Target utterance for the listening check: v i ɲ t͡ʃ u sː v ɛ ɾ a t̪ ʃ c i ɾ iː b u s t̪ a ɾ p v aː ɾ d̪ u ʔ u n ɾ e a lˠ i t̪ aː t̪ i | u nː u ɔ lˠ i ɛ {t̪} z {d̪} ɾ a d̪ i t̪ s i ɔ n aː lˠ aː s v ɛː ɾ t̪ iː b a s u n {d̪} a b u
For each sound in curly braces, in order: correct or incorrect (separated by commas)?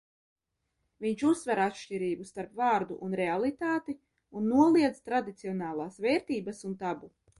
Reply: incorrect, incorrect, incorrect